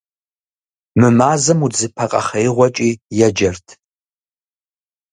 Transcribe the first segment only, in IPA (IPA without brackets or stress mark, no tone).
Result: m